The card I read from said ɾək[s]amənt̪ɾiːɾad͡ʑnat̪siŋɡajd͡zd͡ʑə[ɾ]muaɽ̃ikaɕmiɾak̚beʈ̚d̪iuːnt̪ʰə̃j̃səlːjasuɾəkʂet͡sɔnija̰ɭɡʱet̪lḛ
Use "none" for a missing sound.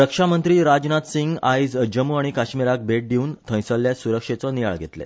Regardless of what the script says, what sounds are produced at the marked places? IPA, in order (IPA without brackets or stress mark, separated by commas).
ʂ, none